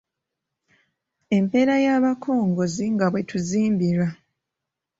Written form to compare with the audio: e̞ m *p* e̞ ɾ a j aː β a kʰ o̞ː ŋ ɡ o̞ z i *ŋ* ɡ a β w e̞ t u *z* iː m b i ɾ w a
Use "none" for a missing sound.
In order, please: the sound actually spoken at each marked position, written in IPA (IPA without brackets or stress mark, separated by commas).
p, ŋ, z